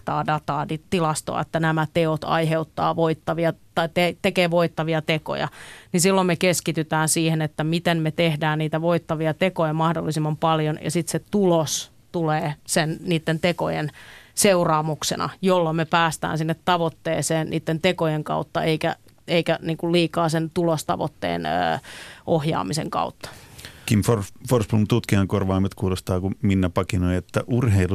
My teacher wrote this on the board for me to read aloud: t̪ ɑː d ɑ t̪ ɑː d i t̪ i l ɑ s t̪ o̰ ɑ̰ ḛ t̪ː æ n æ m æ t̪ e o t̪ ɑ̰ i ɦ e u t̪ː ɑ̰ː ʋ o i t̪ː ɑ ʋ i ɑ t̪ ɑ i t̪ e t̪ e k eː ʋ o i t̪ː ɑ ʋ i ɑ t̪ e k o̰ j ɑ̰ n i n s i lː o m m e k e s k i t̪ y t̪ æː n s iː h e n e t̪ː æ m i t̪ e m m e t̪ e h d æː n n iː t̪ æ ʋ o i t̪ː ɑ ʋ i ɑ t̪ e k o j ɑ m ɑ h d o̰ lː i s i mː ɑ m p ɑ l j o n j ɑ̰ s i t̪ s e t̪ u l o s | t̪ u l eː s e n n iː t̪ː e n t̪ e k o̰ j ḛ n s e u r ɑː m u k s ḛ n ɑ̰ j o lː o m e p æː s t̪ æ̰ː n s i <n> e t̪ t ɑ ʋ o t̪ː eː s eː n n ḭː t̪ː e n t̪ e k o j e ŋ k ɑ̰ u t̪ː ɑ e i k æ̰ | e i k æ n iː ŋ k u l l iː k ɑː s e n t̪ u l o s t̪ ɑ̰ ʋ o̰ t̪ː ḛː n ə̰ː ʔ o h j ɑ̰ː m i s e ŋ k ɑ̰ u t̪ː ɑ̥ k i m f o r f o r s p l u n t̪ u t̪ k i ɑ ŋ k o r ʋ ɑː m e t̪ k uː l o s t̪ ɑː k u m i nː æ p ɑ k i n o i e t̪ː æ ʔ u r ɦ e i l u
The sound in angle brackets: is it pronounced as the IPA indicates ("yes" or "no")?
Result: no